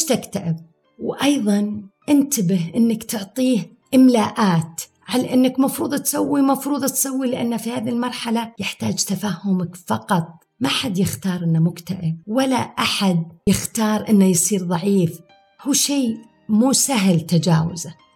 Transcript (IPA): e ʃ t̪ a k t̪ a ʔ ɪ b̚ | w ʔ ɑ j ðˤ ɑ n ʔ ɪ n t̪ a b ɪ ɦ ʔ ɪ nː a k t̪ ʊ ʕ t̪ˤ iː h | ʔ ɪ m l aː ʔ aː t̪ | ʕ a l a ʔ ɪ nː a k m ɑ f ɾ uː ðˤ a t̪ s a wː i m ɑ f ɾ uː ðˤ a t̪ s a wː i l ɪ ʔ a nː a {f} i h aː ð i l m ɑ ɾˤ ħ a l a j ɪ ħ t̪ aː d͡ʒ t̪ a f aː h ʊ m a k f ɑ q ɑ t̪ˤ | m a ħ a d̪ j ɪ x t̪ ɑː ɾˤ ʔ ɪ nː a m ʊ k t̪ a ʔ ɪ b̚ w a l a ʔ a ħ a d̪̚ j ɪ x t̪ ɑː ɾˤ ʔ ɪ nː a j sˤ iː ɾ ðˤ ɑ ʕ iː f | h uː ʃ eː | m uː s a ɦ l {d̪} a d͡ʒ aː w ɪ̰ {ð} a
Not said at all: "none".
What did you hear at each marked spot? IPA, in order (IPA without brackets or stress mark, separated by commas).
f, t̪, z